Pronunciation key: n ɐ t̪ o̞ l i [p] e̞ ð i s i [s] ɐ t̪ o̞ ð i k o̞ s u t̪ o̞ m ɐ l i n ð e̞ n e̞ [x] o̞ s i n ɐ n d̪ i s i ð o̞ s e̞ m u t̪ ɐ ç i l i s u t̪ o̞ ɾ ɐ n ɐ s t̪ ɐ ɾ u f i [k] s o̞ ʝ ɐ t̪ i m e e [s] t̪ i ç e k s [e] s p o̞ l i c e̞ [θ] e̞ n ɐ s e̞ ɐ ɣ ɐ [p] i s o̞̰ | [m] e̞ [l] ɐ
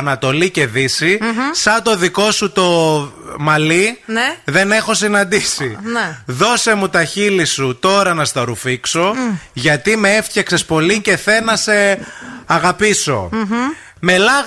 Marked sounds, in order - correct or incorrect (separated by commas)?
incorrect, correct, correct, correct, incorrect, correct, correct, correct, correct, correct